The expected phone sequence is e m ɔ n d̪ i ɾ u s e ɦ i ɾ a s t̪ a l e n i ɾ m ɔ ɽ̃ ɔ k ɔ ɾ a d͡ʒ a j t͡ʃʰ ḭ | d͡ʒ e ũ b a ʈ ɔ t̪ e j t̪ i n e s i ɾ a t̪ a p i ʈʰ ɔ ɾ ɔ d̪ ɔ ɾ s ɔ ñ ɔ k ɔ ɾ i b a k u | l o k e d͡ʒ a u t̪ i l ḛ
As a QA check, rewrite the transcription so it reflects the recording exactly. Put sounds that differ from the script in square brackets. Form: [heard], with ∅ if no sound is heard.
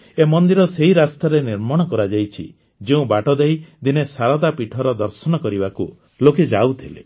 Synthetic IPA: e m ɔ n d̪ i ɾ [ɔ] s e ɦ i ɾ a s t̪ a [ɾ] e n i ɾ m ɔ ɽ̃ ɔ k ɔ ɾ a d͡ʒ a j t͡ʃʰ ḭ | d͡ʒ e ũ b a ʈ ɔ [d̪] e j [d̪] i n e s [a] ɾ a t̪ a p i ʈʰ ɔ ɾ ɔ d̪ ɔ ɾ s ɔ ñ ɔ k ɔ ɾ i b a k u | l o k e d͡ʒ a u [t̪ʰ] i l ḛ